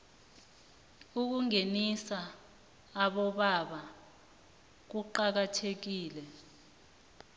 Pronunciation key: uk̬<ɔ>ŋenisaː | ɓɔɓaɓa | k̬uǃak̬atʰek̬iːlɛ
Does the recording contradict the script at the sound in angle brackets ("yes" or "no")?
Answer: yes